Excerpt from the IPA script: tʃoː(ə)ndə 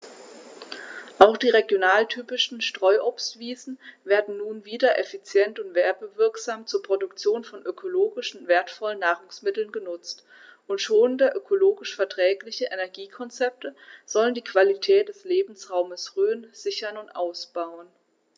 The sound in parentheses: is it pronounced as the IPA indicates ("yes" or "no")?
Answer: yes